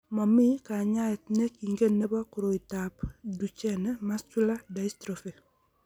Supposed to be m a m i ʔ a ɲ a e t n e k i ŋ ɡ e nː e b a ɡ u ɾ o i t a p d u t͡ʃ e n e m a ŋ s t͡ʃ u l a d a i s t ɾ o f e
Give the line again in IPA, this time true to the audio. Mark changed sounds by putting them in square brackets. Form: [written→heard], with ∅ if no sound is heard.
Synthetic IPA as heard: m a m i [ʔ→k] a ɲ a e t n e k i ŋ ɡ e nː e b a [ɡ→k] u ɾ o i t a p d u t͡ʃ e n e m a [ŋ→∅] s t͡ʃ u l a d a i s t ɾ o f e